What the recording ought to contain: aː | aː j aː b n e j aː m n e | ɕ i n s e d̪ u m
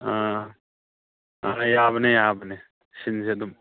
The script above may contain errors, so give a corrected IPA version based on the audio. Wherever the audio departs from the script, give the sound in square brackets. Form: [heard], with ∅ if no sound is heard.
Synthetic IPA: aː | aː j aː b n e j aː [b] n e | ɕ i n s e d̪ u m